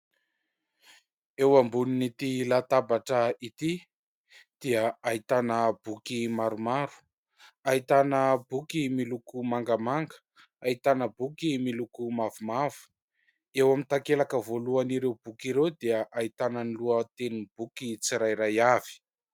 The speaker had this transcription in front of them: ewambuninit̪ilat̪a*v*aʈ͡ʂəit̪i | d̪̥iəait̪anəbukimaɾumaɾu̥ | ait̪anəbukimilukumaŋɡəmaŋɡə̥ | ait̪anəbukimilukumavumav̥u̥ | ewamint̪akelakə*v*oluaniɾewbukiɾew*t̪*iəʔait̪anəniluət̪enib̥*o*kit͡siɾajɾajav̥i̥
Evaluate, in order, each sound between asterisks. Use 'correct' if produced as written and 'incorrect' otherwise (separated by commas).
incorrect, correct, incorrect, incorrect